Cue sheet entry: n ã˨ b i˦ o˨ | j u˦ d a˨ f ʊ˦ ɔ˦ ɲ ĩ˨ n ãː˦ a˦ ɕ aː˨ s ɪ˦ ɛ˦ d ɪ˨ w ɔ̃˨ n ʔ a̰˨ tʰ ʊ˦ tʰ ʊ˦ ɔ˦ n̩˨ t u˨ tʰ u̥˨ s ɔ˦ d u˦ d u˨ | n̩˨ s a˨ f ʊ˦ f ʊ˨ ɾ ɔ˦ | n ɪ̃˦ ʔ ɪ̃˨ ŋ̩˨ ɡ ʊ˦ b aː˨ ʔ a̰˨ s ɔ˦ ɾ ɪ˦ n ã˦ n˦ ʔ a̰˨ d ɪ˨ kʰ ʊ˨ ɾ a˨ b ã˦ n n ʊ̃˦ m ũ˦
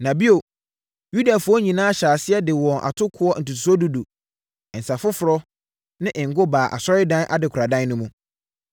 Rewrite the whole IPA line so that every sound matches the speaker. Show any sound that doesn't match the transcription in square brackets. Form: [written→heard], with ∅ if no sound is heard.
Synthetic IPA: n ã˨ b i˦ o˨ | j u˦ d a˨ f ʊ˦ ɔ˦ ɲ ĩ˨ n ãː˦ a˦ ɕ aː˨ s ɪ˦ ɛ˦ d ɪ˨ w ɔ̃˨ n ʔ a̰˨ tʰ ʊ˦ [tʰ→kʰ] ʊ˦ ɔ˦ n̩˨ t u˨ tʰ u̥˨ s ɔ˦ d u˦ d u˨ | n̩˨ s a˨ f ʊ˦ f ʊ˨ ɾ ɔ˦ | n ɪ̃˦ ʔ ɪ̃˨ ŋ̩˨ ɡ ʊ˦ b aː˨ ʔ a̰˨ s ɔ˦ ɾ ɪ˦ [n→d] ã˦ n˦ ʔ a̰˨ d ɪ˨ kʰ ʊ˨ ɾ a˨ [b→d] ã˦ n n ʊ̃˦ m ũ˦